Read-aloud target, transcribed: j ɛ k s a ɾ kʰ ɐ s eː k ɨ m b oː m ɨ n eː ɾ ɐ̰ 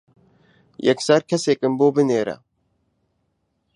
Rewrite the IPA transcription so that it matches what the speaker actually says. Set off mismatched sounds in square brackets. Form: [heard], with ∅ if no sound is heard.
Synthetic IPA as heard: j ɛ k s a ɾ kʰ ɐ s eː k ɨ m b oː [b] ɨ n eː ɾ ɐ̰